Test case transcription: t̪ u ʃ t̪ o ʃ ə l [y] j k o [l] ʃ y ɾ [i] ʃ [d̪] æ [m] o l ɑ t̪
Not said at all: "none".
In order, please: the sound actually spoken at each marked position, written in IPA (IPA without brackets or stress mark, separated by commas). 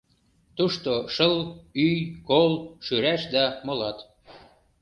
y, l, æ, d̪, m